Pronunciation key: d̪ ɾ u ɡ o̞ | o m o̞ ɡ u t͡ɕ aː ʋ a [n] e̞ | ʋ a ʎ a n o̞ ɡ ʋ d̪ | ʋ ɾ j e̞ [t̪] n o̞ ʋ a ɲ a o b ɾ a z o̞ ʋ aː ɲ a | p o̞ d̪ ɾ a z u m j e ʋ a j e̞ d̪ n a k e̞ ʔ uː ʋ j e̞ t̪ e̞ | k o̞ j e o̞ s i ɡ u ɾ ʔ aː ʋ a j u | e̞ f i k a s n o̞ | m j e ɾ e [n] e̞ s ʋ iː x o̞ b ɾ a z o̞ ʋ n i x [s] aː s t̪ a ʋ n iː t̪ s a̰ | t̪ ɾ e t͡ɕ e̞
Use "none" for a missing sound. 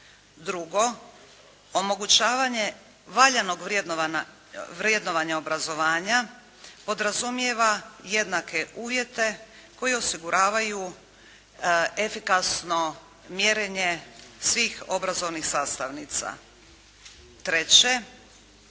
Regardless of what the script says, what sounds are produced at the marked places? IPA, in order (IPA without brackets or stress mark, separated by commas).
ɲ, d̪, ɲ, s